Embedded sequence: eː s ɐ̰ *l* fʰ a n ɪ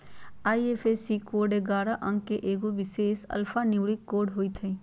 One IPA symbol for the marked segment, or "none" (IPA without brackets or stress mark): l